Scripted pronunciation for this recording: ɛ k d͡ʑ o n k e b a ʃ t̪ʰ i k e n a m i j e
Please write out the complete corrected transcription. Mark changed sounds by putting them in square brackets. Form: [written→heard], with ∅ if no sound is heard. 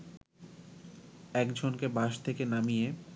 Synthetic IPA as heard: ɛ k d͡ʑ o n k e b a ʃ t̪ʰ [i→e] k e n a m i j e